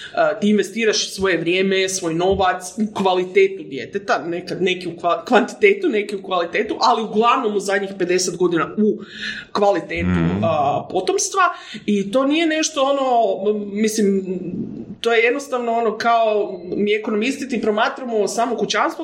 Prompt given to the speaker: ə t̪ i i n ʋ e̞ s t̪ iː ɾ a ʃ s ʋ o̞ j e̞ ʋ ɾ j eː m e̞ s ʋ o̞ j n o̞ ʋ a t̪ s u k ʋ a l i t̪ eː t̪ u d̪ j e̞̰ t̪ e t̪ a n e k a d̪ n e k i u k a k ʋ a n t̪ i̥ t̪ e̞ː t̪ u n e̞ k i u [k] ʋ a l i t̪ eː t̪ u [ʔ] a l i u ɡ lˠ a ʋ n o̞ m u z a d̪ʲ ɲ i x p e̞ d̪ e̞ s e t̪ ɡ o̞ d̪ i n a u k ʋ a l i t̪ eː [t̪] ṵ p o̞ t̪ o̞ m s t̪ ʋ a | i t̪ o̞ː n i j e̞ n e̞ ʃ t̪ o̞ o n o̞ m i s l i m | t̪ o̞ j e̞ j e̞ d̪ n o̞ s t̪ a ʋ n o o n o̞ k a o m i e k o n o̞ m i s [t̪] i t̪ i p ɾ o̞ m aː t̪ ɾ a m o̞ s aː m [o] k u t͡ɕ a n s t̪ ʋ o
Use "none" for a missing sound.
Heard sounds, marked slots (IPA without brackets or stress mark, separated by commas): k, ʔ, t̪, t̪, o